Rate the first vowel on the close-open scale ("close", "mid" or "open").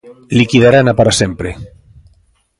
close